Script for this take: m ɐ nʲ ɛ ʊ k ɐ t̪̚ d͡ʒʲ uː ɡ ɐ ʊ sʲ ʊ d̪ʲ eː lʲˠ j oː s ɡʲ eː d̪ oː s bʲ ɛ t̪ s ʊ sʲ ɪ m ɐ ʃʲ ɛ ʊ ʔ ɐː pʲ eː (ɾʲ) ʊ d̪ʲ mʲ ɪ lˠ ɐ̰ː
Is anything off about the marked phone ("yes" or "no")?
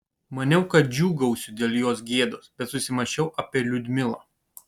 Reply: yes